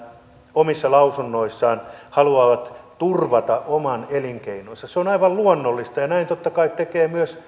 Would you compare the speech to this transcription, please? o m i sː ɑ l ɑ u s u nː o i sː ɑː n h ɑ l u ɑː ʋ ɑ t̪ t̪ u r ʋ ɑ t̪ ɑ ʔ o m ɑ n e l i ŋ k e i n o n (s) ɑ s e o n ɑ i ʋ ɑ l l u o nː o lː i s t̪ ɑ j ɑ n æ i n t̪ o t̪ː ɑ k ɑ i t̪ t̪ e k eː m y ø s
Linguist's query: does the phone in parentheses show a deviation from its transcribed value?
no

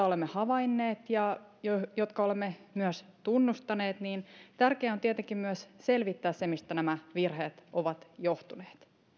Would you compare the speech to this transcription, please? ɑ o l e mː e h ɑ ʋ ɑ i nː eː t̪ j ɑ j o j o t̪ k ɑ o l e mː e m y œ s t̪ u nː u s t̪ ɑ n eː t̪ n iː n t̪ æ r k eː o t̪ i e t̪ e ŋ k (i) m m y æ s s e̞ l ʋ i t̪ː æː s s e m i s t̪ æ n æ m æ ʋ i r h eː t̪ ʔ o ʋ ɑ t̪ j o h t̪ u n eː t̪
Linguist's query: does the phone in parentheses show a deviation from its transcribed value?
no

